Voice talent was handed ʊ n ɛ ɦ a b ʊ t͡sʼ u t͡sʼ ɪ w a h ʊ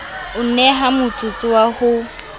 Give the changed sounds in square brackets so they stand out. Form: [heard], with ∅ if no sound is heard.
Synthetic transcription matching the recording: ʊ n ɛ ɦ a [m] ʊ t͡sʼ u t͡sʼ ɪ w a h ʊ